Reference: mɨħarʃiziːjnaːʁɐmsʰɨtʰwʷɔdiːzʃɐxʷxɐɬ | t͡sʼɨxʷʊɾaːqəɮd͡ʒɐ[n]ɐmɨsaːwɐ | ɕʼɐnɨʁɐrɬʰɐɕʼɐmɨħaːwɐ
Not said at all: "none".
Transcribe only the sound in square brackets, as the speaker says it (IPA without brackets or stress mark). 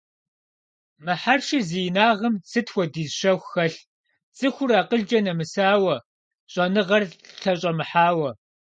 n